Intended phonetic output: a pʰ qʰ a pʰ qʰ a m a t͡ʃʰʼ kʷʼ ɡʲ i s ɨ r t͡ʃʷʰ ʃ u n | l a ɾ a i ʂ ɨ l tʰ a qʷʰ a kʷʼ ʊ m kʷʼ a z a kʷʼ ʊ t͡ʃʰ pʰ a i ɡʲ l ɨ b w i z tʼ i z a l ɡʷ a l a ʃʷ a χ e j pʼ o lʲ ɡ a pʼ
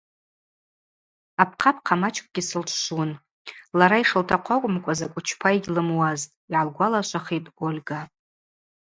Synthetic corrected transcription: a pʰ qʰ a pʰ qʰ a m a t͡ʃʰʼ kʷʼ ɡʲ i s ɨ l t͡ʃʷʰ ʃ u n | l a ɾ a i ʂ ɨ l tʰ a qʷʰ a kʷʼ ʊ m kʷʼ a z a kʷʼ ʊ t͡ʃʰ pʰ a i ɡʲ l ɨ m w a z tʼ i ʕ a l ɡʷ a l a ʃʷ a χ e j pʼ o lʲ ɡ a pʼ